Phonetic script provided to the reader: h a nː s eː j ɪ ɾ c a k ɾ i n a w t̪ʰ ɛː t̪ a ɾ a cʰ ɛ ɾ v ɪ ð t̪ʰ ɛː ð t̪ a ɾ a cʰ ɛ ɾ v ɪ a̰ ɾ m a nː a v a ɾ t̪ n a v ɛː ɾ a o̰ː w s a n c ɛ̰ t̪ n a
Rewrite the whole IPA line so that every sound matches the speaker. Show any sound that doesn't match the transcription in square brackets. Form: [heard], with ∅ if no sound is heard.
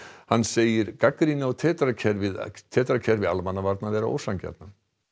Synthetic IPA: h a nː s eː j ɪ ɾ [k] a k ɾ i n a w t̪ʰ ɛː t̪ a ɾ a cʰ ɛ ɾ v ɪ ð t̪ʰ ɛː [∅] t̪ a ɾ a cʰ ɛ ɾ v ɪ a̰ [l] m a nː a v a ɾ t̪ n a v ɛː ɾ a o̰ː w s a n c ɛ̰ t̪ n a